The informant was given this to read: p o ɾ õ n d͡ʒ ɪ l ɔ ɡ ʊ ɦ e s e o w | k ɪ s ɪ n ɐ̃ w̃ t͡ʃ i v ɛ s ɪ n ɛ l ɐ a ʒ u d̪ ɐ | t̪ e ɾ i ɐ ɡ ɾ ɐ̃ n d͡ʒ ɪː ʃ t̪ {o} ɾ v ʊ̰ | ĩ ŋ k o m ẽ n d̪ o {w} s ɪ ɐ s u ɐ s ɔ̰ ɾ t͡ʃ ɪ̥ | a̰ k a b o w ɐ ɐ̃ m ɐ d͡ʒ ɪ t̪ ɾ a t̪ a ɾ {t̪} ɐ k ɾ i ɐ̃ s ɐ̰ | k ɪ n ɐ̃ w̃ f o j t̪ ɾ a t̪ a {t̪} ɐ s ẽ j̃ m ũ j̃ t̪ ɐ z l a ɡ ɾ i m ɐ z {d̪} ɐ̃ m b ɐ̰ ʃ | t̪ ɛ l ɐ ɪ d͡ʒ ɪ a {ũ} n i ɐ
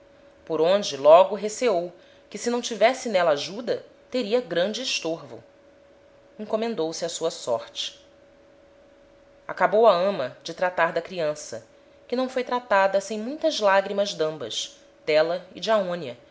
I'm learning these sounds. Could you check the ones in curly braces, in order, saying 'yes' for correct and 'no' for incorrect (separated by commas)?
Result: yes, yes, no, no, yes, no